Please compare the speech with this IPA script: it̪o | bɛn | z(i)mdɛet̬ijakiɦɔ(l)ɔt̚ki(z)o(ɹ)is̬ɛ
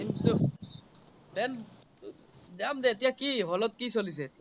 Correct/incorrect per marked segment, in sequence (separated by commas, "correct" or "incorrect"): incorrect, correct, incorrect, incorrect